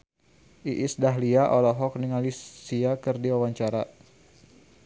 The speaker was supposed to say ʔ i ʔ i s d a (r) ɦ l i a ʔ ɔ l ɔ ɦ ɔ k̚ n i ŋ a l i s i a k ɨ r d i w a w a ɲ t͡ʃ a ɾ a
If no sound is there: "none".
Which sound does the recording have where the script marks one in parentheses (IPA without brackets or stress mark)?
none